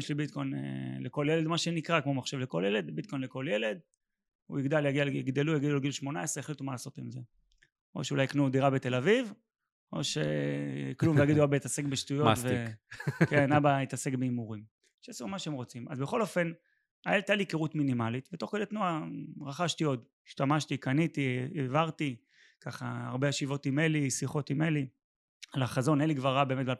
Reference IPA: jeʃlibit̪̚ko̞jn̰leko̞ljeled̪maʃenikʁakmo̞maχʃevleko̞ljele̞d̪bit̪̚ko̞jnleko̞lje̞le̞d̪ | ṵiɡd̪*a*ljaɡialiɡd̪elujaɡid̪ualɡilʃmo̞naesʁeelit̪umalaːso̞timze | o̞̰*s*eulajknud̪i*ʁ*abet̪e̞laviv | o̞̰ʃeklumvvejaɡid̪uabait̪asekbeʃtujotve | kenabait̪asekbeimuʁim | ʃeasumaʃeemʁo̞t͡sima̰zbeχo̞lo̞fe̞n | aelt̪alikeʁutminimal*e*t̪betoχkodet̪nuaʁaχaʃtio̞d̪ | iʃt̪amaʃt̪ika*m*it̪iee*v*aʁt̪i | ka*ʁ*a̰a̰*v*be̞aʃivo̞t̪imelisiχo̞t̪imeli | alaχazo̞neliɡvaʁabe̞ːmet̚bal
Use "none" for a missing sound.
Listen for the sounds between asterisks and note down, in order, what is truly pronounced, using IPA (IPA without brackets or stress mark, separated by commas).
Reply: a, ʃ, ʁ, i, n, v, χ, ʁ